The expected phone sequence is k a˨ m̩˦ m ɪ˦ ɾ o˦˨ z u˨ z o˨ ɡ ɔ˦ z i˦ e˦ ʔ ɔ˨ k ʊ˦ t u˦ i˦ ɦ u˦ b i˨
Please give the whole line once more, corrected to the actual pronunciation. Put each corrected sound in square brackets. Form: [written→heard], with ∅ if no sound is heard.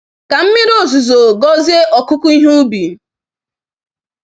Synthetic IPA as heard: k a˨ m̩˦ m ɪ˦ ɾ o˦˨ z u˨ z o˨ ɡ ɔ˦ z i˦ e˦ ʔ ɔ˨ k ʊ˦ [t→k] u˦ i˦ ɦ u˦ b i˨